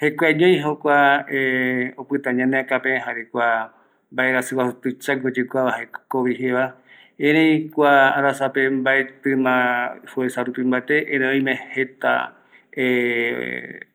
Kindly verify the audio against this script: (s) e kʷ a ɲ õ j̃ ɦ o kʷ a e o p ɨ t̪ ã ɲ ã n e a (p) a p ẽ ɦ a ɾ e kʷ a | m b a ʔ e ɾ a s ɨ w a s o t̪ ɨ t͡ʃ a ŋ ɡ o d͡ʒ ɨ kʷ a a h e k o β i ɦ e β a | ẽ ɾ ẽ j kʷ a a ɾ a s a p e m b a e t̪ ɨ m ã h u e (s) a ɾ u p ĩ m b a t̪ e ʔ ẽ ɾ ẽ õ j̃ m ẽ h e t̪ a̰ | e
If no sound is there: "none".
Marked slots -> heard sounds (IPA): h, k, s

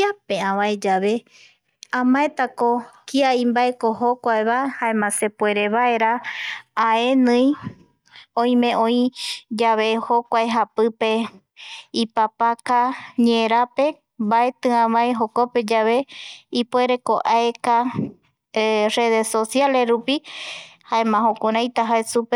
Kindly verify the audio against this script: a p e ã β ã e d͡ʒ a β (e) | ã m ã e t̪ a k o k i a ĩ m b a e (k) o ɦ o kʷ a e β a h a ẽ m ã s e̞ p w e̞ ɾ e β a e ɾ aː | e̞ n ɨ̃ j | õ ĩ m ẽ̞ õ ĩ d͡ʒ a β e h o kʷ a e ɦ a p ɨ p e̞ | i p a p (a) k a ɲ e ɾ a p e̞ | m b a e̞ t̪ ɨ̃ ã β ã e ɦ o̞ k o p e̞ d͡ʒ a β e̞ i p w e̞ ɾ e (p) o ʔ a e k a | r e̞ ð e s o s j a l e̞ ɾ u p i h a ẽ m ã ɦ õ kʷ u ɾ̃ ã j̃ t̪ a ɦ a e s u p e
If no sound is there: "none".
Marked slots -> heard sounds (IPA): e, k, a, k

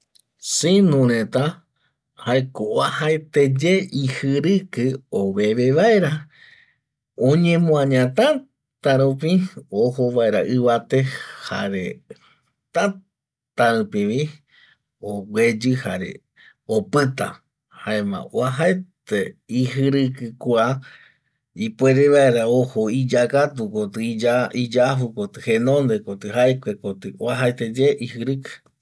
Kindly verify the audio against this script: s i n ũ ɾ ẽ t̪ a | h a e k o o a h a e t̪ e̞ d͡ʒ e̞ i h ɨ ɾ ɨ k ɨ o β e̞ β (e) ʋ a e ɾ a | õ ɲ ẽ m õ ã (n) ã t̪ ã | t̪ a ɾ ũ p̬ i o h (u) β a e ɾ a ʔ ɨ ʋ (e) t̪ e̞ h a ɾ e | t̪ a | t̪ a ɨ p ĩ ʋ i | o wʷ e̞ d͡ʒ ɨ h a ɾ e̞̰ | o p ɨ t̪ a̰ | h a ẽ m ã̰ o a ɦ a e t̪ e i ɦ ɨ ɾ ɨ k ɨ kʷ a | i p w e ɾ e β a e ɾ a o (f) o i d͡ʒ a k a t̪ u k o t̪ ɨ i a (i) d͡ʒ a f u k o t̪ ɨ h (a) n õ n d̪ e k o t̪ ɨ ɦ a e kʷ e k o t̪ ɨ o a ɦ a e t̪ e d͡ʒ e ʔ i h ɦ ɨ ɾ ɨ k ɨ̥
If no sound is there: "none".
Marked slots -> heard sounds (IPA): e, ɲ, o, a, h, i, e

